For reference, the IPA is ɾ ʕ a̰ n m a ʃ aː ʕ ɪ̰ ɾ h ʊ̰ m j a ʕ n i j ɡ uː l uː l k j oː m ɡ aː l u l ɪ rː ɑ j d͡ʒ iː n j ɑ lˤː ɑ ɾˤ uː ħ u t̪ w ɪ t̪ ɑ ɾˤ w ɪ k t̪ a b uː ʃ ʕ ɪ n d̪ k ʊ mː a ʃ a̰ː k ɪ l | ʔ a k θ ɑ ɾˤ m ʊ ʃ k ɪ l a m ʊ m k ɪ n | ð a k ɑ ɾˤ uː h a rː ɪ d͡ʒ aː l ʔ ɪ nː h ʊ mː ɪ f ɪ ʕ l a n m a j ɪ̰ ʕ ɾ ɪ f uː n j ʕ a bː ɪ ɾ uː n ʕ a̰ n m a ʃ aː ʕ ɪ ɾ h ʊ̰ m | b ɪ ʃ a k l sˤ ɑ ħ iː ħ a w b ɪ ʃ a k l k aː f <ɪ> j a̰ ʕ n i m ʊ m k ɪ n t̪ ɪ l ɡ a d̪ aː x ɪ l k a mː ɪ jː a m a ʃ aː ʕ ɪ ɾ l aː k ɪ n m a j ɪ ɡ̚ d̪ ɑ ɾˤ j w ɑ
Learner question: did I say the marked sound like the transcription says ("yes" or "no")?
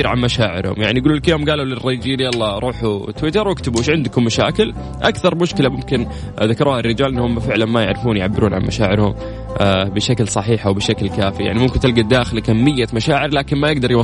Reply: no